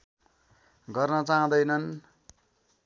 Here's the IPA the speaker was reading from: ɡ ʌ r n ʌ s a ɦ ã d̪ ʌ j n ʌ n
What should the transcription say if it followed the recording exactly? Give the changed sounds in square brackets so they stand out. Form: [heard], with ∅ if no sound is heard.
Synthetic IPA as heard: ɡ ʌ r n ʌ [t͡s] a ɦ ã d̪ ʌ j n ʌ n